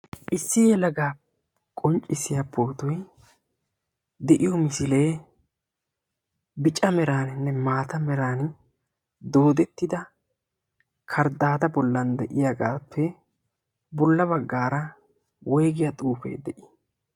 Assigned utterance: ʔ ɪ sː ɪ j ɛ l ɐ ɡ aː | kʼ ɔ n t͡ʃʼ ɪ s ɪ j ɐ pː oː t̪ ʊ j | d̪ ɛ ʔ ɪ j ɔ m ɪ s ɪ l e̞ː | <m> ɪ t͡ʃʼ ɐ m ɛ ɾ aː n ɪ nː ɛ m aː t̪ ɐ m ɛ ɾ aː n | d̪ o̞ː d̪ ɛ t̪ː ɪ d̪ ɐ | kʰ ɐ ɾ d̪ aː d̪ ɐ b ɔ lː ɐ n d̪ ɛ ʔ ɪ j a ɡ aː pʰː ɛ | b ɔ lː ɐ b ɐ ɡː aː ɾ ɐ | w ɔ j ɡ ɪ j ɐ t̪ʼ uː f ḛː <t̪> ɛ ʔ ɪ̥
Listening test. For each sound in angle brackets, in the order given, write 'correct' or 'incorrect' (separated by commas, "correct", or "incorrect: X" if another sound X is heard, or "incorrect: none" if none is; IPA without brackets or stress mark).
incorrect: b, incorrect: d̪